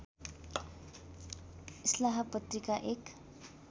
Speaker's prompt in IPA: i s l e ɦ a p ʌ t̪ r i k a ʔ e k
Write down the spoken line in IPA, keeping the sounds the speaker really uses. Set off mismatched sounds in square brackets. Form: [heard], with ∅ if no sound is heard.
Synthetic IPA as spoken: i s l [a] ɦ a p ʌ t̪ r i k a ʔ e k